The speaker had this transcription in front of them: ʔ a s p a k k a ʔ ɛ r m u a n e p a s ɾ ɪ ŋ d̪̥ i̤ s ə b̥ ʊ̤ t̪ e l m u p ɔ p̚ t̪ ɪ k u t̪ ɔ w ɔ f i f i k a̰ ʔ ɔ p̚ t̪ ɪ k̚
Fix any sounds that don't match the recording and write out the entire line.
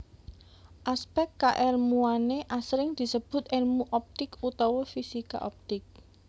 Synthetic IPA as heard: ʔ a s p ɛ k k a ʔ ɛ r m u a n e ʔ a s ɾ ɪ ŋ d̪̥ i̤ s ə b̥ ʊ̤ t̪ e l m u ʔ ɔ p̚ t̪ ɪ k u t̪ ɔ w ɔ f i s i k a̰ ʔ ɔ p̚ t̪ ɪ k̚